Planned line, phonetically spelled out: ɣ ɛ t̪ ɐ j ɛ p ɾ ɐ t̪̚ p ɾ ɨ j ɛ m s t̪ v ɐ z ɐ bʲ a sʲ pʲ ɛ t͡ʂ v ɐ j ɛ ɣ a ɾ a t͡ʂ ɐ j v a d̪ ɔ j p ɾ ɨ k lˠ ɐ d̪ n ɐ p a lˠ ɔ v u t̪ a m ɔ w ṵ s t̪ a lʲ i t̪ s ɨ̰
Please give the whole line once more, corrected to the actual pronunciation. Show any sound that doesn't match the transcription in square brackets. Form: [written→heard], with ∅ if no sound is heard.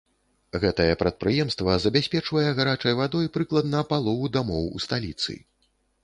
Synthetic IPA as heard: ɣ ɛ t̪ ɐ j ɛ p ɾ ɐ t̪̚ p ɾ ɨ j ɛ m s t̪ v ɐ z ɐ bʲ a sʲ pʲ ɛ t͡ʂ v ɐ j ɛ ɣ a ɾ a t͡ʂ ɐ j v a d̪ ɔ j p ɾ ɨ k lˠ ɐ d̪ n ɐ p a lˠ ɔ v u [t̪→d̪] a m ɔ w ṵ s t̪ a lʲ i t̪ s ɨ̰